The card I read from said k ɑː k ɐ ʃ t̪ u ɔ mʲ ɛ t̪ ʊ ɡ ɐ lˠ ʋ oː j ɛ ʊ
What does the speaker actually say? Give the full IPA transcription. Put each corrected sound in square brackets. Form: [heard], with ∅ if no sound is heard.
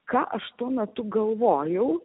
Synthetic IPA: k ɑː [ʔ] ɐ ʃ t̪ u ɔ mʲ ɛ t̪ ʊ ɡ ɐ lˠ ʋ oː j ɛ ʊ